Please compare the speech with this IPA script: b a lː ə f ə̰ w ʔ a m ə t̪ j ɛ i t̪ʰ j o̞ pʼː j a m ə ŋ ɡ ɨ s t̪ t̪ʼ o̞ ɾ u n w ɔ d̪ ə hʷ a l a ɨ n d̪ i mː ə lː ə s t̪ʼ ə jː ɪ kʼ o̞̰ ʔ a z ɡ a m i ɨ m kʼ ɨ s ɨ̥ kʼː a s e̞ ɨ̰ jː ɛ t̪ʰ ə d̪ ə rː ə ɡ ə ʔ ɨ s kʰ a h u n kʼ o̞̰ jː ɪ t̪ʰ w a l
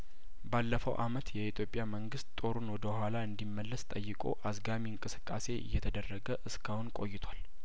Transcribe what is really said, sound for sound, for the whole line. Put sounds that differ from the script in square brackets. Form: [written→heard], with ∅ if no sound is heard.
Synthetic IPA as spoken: b a lː ə f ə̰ w ʔ a m ə t̪ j ɛ i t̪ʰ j o̞ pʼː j a m ə ŋ ɡ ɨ s t̪ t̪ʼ o̞ ɾ u n w ɔ d̪ ə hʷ a l a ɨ n d̪ i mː ə lː ə s t̪ʼ ə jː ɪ kʼ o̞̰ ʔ a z ɡ a m i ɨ [m→ŋ] kʼ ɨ s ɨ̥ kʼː a s e̞ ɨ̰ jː ɛ t̪ʰ ə d̪ ə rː ə ɡ ə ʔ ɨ s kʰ a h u n kʼ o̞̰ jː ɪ t̪ʰ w a l